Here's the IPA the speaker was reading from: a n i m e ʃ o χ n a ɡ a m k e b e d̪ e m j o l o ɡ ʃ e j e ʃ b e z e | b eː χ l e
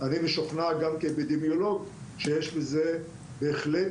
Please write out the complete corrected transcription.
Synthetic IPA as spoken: a n i m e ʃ o χ n a ɡ a m k e b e d̪ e m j o l o ɡ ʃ e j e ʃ b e z e | b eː χ l e

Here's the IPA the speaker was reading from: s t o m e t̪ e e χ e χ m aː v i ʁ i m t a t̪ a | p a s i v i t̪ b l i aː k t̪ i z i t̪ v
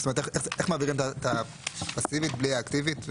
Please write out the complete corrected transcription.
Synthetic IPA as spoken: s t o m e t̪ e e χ e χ m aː v i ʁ i m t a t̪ a | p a s i v i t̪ b l i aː k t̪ i v i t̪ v

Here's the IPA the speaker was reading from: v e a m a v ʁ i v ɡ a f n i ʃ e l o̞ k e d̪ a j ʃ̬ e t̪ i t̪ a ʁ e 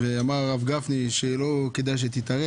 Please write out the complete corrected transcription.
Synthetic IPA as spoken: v e a m a ʁ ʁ a v ɡ a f n i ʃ e l o̞ k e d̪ a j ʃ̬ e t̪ i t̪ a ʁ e

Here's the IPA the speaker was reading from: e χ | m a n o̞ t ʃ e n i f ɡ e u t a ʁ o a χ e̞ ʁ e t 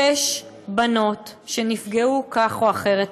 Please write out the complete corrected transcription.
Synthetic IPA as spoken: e ʃ | b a n o̞ t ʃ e n i f ɡ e u k a χ o a χ e̞ ʁ e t

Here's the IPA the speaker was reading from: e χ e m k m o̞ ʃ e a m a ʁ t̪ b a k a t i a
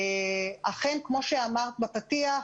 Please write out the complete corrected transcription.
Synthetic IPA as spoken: a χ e n k m o̞ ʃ e a m a ʁ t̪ b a p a t i a

